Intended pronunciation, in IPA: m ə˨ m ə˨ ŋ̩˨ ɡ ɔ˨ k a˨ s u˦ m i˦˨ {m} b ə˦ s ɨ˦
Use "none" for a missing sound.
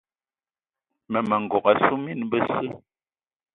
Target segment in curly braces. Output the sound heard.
n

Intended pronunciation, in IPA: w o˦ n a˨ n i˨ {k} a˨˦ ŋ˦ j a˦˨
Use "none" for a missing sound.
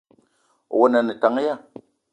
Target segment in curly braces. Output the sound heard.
t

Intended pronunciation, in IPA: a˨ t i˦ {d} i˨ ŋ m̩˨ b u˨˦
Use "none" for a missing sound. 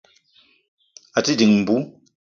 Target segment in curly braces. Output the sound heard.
d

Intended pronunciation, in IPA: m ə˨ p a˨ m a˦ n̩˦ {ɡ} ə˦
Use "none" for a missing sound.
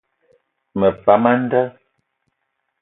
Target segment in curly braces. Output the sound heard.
d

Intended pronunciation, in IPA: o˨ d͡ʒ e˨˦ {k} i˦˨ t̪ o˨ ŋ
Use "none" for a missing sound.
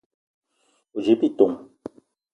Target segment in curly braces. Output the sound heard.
p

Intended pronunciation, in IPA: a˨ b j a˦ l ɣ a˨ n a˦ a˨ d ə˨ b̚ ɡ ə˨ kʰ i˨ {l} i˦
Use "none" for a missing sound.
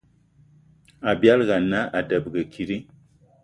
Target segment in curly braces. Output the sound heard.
ɾ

